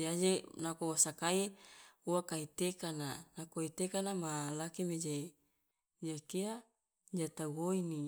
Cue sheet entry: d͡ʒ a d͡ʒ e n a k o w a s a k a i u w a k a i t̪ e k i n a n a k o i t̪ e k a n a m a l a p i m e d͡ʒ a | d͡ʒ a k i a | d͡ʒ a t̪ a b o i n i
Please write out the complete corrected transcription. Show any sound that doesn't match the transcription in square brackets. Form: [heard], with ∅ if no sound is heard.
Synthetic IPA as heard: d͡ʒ a d͡ʒ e n a k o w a s a k a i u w a k a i t̪ e k [a] n a n a k o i t̪ e k a n a m a l a [k] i m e d͡ʒ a | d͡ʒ a k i a | d͡ʒ a t̪ a [ɡ] o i n i